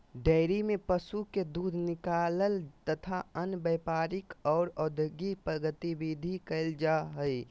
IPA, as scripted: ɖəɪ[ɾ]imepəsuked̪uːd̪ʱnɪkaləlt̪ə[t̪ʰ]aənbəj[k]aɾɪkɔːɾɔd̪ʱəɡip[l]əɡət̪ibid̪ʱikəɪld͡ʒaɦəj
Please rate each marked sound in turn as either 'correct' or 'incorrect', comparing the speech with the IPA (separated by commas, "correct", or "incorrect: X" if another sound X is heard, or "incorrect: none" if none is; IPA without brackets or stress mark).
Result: correct, correct, incorrect: p, incorrect: ɾ